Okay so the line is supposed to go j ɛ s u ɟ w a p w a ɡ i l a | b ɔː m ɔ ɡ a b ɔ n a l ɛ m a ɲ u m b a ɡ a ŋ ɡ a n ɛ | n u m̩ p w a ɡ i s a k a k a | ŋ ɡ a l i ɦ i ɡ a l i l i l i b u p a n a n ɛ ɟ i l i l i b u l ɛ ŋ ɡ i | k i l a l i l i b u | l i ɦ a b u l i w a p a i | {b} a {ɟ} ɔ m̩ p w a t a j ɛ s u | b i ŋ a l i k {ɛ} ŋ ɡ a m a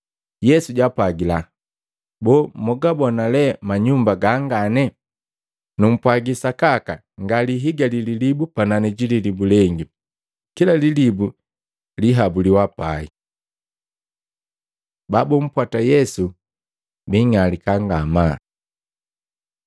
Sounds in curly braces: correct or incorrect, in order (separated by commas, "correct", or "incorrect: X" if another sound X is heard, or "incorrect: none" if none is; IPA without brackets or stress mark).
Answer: correct, incorrect: b, incorrect: a